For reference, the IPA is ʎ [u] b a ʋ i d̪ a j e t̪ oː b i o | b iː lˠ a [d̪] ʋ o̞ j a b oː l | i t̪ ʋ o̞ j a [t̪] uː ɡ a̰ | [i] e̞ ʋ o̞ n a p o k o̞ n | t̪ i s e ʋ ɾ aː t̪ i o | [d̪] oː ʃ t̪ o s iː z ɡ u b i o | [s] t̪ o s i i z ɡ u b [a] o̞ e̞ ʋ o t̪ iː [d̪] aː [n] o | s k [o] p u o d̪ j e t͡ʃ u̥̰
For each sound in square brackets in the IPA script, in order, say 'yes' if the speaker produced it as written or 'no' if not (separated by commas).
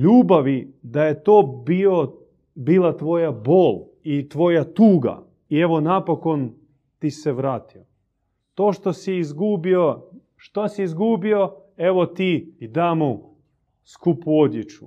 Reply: no, no, yes, yes, no, no, no, yes, no, no